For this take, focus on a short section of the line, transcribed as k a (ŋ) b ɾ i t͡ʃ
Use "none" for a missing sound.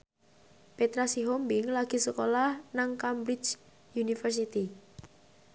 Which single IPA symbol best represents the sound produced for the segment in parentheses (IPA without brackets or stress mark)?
m